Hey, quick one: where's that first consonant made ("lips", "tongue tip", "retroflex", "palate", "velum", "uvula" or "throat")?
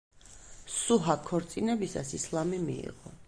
tongue tip